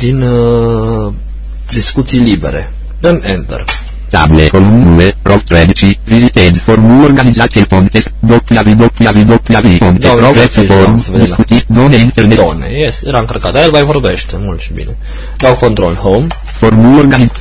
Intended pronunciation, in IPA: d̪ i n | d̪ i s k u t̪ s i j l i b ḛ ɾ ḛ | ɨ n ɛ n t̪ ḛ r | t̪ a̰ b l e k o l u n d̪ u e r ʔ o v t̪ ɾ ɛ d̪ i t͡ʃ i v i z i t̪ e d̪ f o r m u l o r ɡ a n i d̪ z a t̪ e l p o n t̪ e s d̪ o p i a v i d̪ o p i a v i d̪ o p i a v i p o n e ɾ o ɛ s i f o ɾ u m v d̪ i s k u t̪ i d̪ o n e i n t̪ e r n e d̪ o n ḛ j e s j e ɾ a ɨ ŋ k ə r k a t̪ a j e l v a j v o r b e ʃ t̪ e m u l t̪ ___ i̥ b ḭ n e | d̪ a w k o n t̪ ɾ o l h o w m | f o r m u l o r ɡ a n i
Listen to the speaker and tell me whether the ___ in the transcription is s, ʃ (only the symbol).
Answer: ʃ